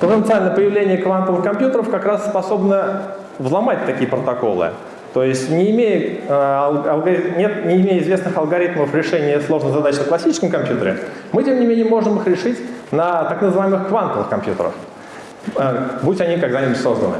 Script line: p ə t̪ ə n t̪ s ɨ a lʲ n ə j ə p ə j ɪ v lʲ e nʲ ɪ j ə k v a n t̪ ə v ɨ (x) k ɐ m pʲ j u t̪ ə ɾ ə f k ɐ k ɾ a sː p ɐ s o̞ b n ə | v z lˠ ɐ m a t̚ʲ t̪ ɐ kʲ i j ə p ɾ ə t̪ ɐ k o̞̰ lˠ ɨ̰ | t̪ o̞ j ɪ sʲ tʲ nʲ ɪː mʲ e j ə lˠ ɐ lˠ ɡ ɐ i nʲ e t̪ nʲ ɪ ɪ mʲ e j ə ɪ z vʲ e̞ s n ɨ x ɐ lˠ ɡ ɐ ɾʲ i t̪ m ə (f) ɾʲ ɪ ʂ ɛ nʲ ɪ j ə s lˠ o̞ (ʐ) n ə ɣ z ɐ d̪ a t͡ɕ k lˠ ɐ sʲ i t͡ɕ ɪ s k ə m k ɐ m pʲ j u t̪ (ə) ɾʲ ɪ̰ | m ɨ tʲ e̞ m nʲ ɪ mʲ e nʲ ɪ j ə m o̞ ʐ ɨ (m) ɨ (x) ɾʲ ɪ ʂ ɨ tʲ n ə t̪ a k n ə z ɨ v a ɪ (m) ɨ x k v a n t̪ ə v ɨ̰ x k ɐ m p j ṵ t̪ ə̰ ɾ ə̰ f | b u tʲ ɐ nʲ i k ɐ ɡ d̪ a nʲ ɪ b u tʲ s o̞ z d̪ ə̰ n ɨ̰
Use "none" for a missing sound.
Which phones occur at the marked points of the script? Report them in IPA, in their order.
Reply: x, f, ʐ, ə, m, x, m

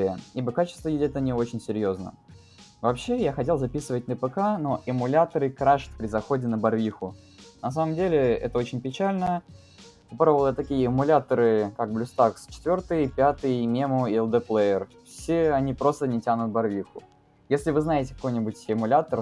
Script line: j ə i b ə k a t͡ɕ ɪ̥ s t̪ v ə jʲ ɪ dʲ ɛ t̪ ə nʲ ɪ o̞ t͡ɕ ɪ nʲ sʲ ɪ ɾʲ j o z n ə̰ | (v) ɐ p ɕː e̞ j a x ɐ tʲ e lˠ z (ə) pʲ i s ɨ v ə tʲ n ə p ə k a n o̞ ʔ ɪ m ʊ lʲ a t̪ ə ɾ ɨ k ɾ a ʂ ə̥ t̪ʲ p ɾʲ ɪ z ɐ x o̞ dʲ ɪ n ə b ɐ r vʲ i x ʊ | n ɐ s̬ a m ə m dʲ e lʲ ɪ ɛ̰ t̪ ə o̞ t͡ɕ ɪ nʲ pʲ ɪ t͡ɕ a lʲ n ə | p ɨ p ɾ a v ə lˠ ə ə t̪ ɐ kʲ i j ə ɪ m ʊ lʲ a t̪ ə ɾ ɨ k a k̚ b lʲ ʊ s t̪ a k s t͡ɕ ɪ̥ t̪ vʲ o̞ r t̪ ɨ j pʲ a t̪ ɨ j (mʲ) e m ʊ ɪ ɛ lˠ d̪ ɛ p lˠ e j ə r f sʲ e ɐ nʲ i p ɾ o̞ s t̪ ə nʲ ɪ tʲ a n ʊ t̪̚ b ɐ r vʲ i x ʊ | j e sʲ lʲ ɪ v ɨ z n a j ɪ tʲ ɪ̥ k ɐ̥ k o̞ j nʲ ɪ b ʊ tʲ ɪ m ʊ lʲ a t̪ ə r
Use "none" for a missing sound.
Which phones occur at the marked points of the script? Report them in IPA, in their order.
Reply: v, ɐ, mʲ

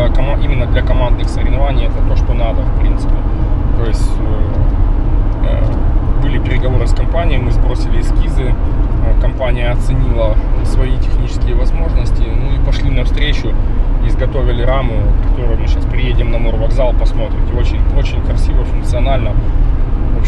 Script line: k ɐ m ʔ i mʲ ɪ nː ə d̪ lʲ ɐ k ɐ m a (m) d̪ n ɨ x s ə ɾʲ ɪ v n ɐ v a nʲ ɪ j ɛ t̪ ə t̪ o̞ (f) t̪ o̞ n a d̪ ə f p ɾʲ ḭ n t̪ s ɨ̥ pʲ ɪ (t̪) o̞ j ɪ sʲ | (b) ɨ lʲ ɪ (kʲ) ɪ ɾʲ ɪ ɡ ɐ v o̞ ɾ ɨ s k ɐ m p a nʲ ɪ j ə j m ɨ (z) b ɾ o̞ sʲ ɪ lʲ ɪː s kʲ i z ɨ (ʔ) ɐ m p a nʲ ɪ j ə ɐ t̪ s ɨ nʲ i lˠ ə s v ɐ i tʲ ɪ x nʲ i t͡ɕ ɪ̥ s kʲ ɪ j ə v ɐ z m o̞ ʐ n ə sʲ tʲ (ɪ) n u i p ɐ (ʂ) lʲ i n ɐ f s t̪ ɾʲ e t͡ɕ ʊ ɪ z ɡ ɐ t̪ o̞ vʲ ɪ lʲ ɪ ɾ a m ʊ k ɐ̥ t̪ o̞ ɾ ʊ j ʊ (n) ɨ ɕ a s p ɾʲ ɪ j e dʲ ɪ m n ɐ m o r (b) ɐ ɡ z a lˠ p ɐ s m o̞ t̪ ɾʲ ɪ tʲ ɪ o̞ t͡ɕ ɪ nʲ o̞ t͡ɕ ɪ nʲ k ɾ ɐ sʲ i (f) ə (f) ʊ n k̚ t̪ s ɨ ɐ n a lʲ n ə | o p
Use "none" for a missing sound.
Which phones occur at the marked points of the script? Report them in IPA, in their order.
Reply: n, ʂ, t̪, b, pʲ, z, k, ɪ, ʂ, m, v, v, f

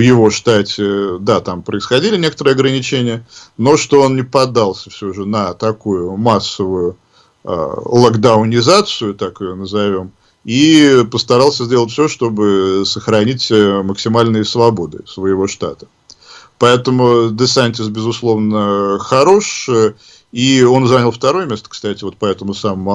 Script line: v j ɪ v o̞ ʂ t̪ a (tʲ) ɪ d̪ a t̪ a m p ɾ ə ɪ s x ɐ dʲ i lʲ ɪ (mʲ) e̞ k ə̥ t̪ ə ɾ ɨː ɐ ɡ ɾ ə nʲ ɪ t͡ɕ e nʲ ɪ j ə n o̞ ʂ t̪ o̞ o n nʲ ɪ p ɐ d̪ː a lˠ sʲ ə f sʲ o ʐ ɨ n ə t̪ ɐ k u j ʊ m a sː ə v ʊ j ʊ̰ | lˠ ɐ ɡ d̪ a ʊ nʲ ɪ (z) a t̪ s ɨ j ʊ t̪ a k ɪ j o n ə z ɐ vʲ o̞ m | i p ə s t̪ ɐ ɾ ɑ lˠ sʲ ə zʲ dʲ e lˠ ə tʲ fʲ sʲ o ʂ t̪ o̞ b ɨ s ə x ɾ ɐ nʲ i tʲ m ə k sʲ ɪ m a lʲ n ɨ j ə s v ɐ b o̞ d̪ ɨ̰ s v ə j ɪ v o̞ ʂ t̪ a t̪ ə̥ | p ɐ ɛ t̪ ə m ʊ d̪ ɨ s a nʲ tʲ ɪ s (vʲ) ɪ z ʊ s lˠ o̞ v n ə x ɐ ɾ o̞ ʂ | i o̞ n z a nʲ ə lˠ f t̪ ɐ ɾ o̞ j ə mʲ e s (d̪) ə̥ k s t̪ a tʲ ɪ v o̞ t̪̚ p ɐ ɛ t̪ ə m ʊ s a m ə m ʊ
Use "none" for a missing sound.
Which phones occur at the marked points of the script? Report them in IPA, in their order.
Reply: tʲ, nʲ, z, bʲ, t̪

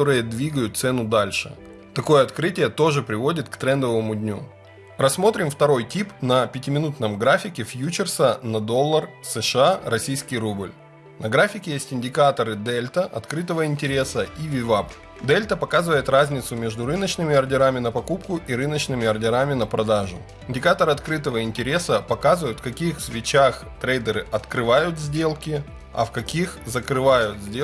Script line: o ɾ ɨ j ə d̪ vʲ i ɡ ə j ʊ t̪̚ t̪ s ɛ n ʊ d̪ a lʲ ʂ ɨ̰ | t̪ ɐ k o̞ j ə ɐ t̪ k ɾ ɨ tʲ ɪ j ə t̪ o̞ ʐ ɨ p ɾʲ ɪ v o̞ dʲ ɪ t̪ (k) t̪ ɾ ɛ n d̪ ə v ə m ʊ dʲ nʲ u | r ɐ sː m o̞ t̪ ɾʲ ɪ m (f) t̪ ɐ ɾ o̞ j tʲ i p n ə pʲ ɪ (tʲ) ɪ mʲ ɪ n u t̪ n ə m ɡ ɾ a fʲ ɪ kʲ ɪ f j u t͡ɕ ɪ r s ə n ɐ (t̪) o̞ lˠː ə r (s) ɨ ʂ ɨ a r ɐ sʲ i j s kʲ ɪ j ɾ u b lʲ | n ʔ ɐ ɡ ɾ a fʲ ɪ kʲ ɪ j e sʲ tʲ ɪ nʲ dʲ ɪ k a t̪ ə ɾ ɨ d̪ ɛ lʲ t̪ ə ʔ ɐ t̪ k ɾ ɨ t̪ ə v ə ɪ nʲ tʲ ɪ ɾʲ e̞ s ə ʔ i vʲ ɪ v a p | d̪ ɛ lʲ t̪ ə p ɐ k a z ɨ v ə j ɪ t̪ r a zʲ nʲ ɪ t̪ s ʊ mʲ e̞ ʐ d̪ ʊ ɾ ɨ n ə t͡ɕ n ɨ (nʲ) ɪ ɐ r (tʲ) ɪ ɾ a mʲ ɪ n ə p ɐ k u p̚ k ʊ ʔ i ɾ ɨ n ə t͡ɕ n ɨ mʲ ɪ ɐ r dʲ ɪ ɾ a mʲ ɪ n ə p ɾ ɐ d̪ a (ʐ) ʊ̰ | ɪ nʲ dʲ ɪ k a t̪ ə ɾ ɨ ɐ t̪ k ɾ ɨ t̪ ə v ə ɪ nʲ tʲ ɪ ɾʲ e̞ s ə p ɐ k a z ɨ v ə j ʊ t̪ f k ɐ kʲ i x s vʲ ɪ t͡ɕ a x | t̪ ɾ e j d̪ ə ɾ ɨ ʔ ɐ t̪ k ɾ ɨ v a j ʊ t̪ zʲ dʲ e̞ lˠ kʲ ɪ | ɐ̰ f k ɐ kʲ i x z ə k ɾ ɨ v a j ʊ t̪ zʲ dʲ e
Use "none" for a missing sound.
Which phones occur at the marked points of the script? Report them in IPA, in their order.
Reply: k, f, tʲ, d̪, s, mʲ, dʲ, ʐ

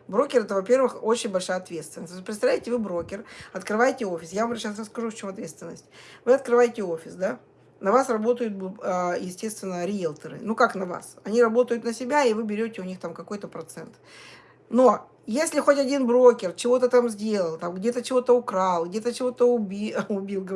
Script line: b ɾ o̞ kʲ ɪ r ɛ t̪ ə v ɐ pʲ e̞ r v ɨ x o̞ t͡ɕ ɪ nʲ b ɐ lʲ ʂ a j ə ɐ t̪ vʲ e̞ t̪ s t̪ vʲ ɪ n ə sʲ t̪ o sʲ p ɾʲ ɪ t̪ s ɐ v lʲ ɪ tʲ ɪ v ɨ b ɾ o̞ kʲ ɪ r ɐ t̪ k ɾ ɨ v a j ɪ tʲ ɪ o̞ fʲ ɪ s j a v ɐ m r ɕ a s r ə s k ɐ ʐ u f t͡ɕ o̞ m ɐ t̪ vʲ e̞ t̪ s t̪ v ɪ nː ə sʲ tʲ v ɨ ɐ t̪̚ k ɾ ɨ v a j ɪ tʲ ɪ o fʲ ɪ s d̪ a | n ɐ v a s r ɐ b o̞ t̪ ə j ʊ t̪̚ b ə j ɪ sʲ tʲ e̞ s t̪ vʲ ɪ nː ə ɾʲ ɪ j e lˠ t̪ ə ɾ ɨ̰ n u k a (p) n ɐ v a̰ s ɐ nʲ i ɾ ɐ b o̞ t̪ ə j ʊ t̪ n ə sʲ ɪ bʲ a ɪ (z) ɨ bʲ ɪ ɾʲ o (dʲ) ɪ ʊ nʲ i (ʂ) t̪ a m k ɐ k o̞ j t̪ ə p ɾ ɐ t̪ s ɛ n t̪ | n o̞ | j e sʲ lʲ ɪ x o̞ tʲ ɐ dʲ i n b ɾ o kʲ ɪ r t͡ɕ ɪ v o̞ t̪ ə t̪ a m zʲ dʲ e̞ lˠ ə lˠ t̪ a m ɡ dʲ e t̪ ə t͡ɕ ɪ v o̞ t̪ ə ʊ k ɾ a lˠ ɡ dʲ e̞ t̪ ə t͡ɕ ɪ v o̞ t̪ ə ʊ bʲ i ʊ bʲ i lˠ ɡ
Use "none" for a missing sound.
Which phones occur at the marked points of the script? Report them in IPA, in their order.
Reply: k, v, tʲ, x

